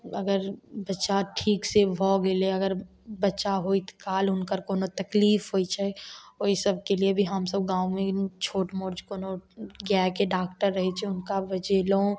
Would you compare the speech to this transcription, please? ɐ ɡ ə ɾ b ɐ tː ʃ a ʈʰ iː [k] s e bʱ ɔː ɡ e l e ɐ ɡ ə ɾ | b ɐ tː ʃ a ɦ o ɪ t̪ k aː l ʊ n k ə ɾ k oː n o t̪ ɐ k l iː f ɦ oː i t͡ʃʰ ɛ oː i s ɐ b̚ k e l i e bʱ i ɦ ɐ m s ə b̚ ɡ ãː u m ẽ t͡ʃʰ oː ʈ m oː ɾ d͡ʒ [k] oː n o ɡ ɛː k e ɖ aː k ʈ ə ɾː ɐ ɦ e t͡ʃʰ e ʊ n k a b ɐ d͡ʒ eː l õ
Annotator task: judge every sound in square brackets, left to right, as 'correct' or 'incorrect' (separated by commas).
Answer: correct, correct